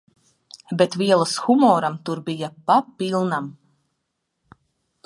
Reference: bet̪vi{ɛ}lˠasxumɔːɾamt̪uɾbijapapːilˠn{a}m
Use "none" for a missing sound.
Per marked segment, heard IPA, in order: ɛ, a

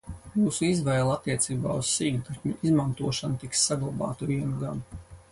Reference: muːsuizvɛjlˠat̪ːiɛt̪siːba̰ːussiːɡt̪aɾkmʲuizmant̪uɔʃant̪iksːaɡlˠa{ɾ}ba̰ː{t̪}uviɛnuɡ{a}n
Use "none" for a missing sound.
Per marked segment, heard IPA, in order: none, t̪, a

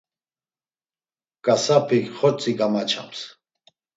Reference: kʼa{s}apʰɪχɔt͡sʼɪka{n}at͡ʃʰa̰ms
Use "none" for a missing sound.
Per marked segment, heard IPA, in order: s, m

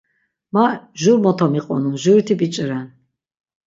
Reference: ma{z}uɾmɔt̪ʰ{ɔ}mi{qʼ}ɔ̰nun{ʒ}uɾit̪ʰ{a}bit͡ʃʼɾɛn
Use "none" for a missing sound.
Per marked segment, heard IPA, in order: ʒ, ɔ, qʼ, ʒ, i

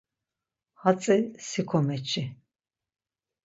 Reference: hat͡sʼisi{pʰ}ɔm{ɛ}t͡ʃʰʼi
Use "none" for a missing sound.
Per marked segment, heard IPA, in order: kʰ, ɛ

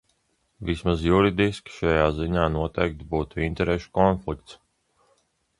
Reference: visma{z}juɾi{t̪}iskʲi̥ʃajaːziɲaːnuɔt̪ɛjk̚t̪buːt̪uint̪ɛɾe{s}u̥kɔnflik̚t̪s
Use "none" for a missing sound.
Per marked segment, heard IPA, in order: z, d̪, ʃ

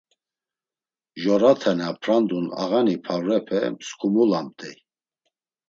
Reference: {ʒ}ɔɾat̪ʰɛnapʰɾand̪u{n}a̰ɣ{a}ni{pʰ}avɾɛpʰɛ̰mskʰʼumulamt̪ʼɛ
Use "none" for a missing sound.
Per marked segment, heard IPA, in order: ʒ, n, a, pʰ

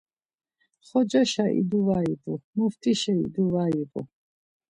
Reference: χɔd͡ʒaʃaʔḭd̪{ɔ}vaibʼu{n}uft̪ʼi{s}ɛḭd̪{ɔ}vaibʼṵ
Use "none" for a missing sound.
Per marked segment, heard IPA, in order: u, m, ʃ, u

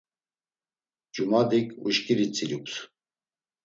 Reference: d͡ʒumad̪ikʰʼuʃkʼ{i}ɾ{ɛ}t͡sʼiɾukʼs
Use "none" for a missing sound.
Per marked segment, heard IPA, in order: i, i

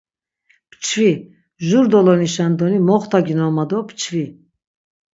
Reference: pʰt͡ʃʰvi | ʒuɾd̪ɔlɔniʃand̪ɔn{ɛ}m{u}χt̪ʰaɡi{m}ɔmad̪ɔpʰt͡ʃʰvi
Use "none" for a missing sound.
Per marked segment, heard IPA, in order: i, ɔ, n

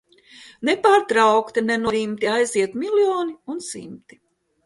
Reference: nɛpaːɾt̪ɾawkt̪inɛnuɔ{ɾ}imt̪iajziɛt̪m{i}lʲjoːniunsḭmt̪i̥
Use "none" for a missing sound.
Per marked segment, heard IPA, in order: ɾ, i

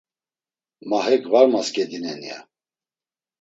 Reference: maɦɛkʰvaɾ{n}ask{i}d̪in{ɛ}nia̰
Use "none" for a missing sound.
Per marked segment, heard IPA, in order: m, ɛ, ɛ

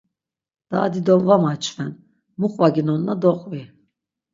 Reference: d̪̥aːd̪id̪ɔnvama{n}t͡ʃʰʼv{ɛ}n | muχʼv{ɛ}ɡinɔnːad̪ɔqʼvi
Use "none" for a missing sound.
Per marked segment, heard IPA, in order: none, ɛ, a

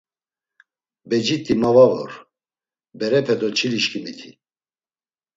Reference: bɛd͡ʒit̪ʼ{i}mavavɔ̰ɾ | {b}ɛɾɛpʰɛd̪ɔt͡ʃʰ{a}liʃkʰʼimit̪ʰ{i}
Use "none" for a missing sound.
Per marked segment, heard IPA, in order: i, b, i, i

